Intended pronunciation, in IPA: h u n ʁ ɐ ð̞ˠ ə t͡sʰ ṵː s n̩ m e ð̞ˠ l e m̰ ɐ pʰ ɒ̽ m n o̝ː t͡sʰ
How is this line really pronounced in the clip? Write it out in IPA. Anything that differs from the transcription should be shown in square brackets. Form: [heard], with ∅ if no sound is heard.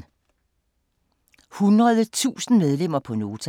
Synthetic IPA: h u n ʁ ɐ ð̞ˠ ə t͡sʰ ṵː s n̩ m e ð̞ˠ l e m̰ ɐ pʰ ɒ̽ [∅] n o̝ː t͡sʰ